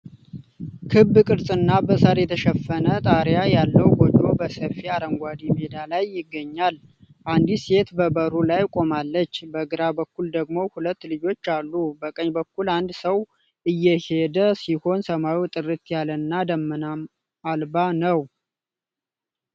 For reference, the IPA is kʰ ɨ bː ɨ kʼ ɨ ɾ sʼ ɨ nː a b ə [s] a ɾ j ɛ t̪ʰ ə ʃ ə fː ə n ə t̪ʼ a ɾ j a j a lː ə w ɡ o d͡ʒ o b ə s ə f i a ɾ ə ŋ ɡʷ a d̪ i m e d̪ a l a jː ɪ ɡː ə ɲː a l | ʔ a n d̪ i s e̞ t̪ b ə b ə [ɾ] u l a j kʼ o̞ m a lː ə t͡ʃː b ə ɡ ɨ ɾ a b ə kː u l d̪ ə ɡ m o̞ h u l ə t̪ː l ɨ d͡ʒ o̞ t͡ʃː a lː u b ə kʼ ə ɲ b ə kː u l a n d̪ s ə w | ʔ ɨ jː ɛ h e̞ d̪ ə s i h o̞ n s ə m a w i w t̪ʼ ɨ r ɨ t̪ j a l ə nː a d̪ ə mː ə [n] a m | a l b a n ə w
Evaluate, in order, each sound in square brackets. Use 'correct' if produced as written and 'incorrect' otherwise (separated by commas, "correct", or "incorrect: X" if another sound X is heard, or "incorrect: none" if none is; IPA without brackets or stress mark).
correct, correct, correct